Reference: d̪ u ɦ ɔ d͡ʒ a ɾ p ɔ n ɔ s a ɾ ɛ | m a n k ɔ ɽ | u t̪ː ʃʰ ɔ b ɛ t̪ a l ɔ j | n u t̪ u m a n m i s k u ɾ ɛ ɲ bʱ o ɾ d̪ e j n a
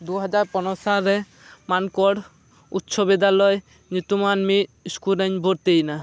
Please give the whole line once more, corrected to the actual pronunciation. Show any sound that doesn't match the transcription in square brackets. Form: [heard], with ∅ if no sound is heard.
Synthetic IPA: d̪ u ɦ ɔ d͡ʒ a ɾ p ɔ n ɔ s a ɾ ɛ | m a n k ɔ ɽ | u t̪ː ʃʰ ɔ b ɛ [d̪] a l ɔ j | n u t̪ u m a n m i s k u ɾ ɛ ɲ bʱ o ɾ [t̪] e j n a